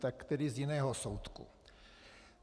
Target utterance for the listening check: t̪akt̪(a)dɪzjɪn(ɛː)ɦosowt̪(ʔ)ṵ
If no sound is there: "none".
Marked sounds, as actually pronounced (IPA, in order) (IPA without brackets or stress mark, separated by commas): ɛ, ɛː, k